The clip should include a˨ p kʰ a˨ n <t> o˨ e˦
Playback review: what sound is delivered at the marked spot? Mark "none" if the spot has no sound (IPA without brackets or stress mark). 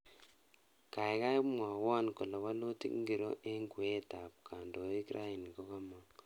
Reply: d